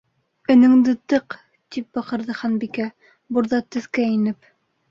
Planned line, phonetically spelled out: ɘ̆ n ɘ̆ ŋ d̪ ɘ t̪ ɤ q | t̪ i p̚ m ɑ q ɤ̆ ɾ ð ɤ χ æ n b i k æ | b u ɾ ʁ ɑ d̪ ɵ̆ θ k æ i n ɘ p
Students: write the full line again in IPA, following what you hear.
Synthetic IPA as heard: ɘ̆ n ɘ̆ ŋ d̪ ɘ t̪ ɤ q | t̪ i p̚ b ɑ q ɤ̆ ɾ ð ɤ χ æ n b i k æ | b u ɾ ð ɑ t̪ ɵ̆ θ k æ i n ɘ p

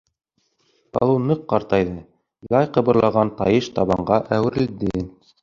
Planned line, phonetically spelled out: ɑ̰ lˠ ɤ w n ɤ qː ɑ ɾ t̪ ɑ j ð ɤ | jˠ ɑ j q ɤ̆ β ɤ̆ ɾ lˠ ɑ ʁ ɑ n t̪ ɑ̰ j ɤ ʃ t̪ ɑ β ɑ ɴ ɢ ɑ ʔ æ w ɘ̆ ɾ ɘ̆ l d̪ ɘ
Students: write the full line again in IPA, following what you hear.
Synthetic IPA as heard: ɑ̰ lˠ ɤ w n ɤ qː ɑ ɾ t̪ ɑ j ð ɤ | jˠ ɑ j q ɤ̆ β ɤ̆ ɾ lˠ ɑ ʁ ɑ n t̪ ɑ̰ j ɤ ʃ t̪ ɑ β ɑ ɴ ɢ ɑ ʔ æ w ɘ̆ ɾ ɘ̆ l d̪ ɘ

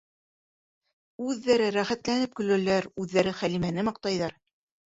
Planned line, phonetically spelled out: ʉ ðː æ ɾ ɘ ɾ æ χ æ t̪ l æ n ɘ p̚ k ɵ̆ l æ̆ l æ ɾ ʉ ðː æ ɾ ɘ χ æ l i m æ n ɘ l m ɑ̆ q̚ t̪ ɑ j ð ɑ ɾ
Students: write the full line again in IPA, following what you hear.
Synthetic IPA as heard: ʉ ðː æ ɾ ɘ ɾ æ χ æ t̪ l æ n ɘ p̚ k ɵ̆ l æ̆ l æ ɾ ʉ ðː æ ɾ ɘ χ æ l i m æ n ɘ m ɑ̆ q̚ t̪ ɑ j ð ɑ ɾ

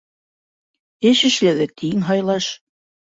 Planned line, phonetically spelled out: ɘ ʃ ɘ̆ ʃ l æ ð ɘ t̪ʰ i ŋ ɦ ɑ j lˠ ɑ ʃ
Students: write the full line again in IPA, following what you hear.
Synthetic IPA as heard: ɘ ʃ ɘ̆ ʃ l æ ð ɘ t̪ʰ i ŋ ɦ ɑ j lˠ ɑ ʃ

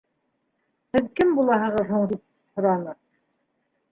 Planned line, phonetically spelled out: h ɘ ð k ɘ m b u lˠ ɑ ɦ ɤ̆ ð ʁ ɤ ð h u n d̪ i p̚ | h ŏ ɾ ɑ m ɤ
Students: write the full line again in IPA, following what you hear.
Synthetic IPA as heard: h ɘ ð k ɘ m b u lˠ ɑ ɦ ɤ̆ ʁ ɤ ð h u ɴ d̪ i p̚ | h ŏ ɾ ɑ n ɤ

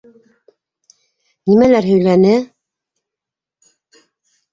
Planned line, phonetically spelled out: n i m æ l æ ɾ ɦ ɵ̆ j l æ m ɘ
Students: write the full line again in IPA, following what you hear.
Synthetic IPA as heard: n i m æ l æ ɾ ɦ ɵ̆ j l æ n ɘ

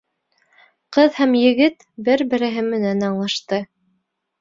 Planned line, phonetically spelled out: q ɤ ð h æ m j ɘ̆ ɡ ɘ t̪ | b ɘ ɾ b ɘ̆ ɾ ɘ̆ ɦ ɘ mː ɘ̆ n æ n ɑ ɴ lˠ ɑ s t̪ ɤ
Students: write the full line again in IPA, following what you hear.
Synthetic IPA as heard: q ɤ ð h æ m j ɘ̆ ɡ ɘ t̪ | b ɘ ɾ b ɘ̆ ɾ ɘ̆ ɦ ɘ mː ɘ̆ n æ n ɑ ɴ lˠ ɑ ʃ t̪ ɤ

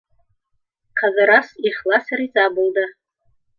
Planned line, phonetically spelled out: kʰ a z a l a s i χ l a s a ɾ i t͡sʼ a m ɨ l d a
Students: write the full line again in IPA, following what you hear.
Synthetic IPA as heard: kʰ a z a ɾ a s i χ l a s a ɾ i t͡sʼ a b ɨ l d a

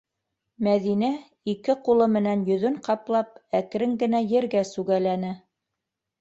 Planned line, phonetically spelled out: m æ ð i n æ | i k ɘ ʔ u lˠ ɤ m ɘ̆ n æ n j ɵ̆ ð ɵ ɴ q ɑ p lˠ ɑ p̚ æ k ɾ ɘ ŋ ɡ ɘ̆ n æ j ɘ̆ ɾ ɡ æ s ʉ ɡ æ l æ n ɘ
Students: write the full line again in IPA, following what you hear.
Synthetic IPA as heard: m æ ð i n æ | i k ɘ q u lˠ ɤ m ɘ̆ n æ n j ɵ̆ ð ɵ ɴ q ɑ p lˠ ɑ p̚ æ k ɾ ɘ ŋ ɡ ɘ̆ n æ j ɘ̆ ɾ ɡ æ s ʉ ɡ æ l æ n ɘ

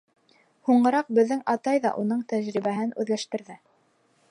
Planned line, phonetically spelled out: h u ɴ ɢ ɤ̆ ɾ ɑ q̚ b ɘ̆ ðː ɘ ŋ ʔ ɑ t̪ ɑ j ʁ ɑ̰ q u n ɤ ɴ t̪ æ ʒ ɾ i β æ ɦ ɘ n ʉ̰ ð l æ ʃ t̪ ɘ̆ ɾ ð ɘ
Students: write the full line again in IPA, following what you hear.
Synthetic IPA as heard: h u ɴ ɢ ɤ̆ ɾ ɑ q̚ b ɘ̆ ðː ɘ ŋ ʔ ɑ t̪ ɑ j ð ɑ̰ ʔ u n ɤ ɴ t̪ æ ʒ ɾ i β æ ɦ ɘ n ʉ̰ ð l æ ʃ t̪ ɘ̆ ɾ ð ɘ

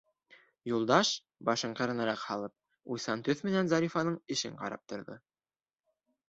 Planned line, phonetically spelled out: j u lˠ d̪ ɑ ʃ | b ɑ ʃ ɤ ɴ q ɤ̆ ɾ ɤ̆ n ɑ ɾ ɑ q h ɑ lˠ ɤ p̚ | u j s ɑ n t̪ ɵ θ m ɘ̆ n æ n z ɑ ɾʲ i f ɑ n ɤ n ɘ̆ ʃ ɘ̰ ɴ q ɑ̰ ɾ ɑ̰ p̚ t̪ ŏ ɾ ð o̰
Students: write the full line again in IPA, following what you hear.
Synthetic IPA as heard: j u lˠ d̪ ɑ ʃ | b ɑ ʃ ɤ ɴ q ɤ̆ ɾ ɤ̆ n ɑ ɾ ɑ q h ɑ lˠ ɤ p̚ | u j s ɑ n t̪ ɵ θ m ɘ̆ n æ n z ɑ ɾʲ i f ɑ n ɤ ɴ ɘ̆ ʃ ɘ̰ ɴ q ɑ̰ ɾ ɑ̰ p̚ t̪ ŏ ɾ ð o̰

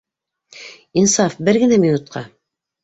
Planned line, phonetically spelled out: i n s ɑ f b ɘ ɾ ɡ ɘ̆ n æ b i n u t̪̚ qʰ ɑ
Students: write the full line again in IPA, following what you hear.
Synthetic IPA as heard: i n s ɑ f b ɘ ɾ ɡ ɘ̆ n æ m i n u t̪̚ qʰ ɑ

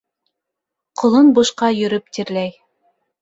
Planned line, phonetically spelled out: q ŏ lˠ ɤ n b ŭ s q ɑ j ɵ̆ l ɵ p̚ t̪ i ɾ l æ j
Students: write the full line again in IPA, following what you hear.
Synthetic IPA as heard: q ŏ lˠ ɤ n b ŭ ʃ q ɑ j ɵ̆ ɾ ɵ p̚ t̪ i ɾ l æ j

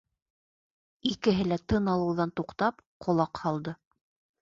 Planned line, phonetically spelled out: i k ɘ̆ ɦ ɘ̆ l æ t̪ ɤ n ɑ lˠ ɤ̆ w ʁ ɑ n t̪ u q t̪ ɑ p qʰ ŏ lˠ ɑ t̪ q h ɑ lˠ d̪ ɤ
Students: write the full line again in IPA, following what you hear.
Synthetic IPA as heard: i k ɘ̆ ɦ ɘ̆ l æ t̪ ɤ n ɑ lˠ ɤ̆ w ð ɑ n t̪ u q t̪ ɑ p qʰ ŏ lˠ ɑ q h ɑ lˠ d̪ ɤ

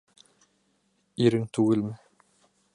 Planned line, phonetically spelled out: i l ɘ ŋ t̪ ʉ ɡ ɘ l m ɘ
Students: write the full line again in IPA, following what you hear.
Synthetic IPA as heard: i ɾ ɘ ŋ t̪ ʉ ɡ ɘ l m ɘ

